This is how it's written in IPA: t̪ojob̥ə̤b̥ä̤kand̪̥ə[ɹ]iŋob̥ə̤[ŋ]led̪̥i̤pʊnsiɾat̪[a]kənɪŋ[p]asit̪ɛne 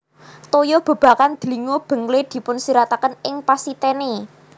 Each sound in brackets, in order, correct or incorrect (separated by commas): incorrect, correct, correct, correct